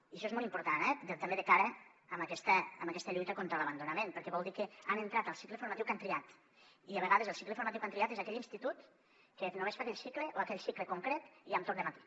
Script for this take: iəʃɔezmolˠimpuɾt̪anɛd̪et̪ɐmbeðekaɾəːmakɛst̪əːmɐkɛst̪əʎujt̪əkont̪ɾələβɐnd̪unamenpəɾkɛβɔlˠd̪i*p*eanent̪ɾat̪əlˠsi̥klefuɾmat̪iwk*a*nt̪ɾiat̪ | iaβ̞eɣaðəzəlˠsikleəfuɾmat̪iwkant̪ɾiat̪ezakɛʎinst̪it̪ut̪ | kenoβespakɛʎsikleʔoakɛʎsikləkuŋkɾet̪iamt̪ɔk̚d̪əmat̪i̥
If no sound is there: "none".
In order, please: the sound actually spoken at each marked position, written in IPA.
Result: k, a

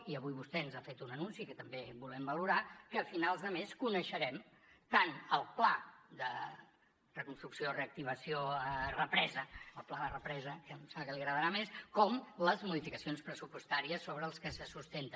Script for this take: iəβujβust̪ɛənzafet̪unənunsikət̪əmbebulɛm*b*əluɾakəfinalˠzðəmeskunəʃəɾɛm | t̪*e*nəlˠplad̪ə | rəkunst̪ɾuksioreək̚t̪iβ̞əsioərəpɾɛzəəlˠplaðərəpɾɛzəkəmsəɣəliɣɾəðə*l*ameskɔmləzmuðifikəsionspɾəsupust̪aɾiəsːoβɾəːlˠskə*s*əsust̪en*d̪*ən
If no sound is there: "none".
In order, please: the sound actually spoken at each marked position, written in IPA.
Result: b, a, ɾ, s, t̪

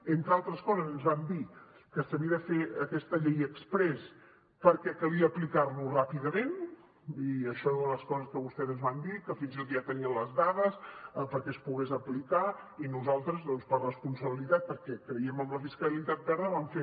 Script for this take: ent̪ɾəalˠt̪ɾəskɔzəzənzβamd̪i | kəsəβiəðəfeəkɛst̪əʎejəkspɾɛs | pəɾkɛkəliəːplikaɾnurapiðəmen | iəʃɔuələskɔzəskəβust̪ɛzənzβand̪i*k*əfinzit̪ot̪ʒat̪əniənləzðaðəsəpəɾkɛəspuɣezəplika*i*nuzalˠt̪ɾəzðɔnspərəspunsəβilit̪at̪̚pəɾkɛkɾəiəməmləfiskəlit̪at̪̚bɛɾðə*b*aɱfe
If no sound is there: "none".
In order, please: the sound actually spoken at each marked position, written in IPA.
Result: k, i, β

